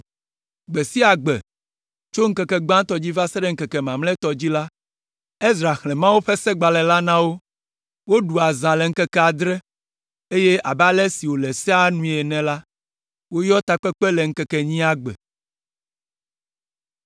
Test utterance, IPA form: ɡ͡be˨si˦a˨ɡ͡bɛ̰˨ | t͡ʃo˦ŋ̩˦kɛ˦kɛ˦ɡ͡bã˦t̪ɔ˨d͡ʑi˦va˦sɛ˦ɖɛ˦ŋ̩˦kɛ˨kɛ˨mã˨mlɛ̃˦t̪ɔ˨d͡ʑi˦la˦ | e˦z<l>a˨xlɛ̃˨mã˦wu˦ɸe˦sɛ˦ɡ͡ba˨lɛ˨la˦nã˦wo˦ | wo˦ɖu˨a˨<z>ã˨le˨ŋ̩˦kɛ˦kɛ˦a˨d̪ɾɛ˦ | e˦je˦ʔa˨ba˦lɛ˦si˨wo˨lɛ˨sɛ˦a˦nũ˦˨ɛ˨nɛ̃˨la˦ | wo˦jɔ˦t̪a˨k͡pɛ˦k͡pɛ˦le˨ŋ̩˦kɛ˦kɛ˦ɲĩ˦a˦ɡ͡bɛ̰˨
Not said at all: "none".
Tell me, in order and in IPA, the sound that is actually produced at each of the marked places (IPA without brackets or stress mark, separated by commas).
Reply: ɾ, z